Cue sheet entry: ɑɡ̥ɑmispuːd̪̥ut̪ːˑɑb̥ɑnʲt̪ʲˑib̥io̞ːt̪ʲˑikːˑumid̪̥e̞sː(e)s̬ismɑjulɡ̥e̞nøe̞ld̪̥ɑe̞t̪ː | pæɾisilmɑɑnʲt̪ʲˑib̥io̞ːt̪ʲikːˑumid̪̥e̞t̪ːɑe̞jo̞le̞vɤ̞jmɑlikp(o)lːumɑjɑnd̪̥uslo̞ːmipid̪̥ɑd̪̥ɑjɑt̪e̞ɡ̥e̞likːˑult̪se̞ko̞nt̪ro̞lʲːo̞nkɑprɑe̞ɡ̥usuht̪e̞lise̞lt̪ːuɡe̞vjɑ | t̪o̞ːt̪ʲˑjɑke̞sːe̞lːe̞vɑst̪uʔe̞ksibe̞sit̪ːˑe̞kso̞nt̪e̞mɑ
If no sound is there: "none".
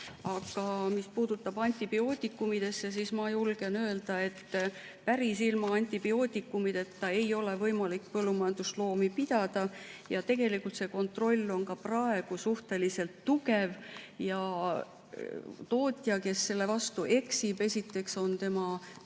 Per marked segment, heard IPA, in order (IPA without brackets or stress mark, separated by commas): e, ɤ